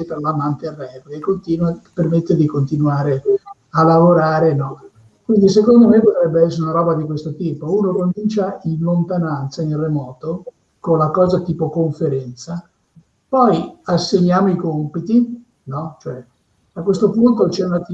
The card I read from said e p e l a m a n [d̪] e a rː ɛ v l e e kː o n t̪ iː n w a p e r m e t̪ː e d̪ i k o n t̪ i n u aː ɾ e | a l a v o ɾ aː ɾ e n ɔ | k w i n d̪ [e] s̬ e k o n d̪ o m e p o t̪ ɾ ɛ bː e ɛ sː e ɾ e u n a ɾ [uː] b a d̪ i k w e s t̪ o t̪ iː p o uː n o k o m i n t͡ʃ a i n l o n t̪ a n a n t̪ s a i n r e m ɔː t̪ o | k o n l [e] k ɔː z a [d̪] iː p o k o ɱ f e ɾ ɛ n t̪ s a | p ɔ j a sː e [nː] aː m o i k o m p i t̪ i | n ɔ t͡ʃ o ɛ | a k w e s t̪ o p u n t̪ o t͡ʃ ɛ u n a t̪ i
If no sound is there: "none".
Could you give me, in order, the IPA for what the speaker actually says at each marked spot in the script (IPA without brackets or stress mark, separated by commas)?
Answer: t̪, i, ɔː, a, t̪, ɲː